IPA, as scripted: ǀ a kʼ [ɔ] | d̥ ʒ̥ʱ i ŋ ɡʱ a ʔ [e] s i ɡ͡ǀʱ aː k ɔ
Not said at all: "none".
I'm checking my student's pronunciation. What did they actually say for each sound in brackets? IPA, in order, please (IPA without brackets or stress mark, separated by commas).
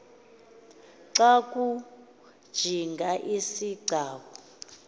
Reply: u, i